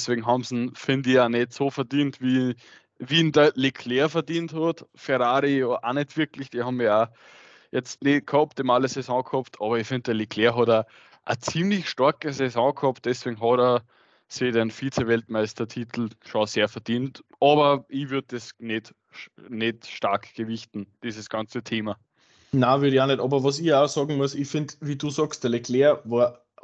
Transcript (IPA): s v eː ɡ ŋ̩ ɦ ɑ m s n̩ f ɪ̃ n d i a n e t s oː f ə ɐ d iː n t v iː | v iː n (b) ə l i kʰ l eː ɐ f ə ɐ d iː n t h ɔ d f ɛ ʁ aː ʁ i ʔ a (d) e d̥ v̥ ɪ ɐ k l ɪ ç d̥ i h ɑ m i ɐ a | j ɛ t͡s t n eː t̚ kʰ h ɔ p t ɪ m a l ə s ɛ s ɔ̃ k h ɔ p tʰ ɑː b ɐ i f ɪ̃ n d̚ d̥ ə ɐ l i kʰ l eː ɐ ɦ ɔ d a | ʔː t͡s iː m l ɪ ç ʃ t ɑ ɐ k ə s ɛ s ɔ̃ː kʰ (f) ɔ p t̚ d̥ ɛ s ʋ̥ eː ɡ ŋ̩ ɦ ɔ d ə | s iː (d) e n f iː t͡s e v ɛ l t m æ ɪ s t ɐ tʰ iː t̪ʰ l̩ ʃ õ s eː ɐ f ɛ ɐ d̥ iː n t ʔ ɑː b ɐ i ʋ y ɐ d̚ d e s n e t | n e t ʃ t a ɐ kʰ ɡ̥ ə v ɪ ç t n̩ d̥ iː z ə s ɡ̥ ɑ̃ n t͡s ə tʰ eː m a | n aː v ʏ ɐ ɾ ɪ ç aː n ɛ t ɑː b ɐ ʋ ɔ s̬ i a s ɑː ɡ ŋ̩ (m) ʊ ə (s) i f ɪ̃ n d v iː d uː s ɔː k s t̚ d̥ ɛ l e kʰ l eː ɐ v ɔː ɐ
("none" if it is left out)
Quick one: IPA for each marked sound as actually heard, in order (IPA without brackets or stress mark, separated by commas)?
d, n, h, d, m, s